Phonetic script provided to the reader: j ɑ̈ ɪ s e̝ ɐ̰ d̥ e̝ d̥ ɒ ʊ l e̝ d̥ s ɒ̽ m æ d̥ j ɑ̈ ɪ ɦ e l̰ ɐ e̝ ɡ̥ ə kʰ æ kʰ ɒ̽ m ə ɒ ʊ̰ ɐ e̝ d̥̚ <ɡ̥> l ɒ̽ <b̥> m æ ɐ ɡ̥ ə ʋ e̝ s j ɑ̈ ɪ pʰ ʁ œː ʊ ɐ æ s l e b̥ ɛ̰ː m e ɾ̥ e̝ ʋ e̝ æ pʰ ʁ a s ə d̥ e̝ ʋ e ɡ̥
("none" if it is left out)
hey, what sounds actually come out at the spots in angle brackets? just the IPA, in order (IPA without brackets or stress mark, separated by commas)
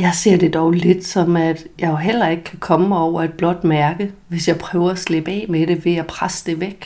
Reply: b̥, d̥